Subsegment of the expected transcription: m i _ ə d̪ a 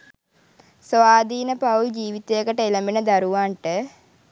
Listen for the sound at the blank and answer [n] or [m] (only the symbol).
n